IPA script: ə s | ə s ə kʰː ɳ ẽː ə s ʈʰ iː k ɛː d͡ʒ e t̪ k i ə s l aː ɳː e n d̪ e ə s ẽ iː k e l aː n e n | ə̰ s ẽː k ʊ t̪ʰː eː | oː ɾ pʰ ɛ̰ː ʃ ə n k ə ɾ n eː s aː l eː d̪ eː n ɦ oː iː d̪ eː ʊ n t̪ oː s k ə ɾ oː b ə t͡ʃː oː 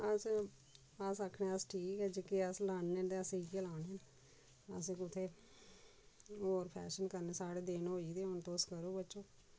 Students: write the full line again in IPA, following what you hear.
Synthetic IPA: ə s | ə s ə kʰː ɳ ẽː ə s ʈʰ iː k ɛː d͡ʒ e k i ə s l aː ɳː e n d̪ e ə s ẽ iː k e l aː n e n | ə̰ s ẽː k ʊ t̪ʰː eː | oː ɾ pʰ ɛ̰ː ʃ ə n k ə ɾ n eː s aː ɽ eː d̪ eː n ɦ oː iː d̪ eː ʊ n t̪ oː s k ə ɾ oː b ə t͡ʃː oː